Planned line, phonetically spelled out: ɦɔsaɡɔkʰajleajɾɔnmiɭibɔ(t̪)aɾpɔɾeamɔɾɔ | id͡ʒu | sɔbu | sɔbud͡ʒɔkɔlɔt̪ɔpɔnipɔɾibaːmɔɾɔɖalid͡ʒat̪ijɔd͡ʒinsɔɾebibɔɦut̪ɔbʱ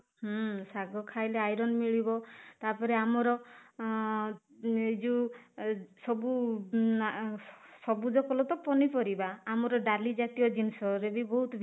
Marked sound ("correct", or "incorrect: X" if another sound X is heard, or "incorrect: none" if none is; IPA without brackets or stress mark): correct